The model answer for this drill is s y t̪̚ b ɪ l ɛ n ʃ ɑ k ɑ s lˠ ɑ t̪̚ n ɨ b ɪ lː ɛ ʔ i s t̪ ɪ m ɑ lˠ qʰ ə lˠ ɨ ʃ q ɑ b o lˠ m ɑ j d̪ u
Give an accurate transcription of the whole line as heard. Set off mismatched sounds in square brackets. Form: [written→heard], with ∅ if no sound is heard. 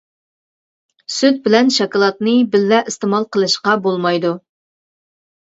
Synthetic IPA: s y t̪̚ b ɪ l ɛ n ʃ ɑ k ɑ [s→∅] lˠ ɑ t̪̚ n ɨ b ɪ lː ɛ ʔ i s t̪ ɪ m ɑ lˠ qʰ ə lˠ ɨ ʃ q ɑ b o lˠ m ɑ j d̪ u